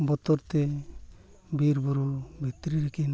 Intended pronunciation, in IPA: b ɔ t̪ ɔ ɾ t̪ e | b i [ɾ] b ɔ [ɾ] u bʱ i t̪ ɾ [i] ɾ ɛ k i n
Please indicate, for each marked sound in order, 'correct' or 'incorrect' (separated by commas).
correct, correct, correct